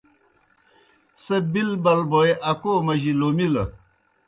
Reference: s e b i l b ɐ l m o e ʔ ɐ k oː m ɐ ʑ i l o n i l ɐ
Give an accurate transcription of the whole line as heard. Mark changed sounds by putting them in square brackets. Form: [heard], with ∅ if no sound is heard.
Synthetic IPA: s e b i l b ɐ l [b] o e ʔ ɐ k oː m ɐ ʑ i l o [m] i l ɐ